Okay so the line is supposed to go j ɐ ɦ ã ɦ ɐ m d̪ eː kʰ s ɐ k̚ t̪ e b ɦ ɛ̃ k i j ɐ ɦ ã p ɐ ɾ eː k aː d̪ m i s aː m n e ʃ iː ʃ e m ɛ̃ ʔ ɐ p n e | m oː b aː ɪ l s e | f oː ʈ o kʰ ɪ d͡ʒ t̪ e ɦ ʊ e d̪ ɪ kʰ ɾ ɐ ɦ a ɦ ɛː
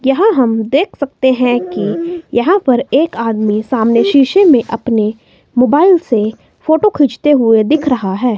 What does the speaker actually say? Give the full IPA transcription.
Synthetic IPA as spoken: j ɐ ɦ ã ɦ ɐ m d̪ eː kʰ s ɐ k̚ t̪ e ɦ ɛ̃ k i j ɐ ɦ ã p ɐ ɾ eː k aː d̪ m i s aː m n e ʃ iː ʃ e m ẽ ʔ ɐ p n e | m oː b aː ɪ l s e | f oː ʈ o kʰ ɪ d͡ʒ t̪ e ɦ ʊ e d̪ ɪ kʰ ɾ ɐ ɦ a ɦ ɛː